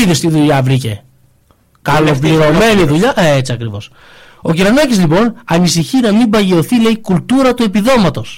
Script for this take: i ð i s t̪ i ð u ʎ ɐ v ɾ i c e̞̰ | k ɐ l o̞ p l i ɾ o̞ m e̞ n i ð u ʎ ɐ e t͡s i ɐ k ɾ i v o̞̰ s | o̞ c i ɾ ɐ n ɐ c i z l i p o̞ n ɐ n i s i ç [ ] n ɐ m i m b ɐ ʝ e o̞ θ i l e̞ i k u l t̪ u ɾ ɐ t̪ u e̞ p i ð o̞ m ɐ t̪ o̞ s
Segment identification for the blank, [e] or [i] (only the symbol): i